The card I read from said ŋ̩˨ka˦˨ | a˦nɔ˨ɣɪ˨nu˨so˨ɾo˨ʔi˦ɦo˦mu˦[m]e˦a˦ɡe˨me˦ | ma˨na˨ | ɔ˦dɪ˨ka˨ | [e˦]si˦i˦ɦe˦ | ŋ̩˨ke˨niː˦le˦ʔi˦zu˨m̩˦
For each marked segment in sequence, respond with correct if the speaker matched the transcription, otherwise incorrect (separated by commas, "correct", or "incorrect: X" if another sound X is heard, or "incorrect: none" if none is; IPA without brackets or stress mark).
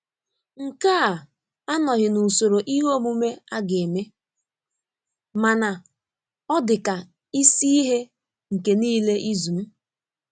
correct, incorrect: i˦